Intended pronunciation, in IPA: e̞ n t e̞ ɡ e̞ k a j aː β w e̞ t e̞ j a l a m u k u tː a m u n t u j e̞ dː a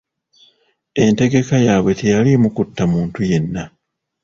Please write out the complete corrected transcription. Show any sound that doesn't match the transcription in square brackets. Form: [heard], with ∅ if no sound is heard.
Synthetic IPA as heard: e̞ n t e̞ ɡ e̞ k a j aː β w e̞ t e̞ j a l [i] m u k u tː a m [uː] n t u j e̞ [nː] a